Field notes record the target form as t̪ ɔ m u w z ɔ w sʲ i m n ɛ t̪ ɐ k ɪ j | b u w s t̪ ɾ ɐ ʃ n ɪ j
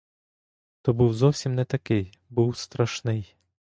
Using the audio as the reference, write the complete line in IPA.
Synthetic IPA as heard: t̪ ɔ b u w z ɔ w sʲ i m n ɛ t̪ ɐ k ɪ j | b u w s t̪ ɾ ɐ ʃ n ɪ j